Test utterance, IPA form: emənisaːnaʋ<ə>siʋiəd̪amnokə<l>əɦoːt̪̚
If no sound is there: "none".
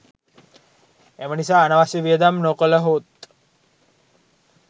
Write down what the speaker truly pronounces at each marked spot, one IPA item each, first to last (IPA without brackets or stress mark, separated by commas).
a, l